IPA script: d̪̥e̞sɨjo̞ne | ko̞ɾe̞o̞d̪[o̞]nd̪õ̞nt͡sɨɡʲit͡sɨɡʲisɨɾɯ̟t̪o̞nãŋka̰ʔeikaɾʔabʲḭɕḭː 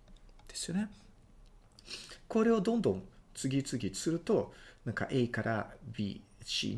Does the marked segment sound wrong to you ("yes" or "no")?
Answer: yes